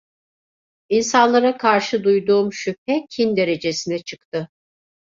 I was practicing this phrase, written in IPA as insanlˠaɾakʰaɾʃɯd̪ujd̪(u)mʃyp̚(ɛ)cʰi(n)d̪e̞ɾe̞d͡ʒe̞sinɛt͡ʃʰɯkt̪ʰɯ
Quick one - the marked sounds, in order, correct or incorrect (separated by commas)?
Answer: incorrect, correct, correct